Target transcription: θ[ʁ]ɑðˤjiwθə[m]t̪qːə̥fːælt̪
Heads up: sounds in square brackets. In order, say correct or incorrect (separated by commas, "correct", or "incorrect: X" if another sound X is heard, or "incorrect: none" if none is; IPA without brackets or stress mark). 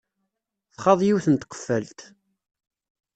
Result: incorrect: χ, incorrect: n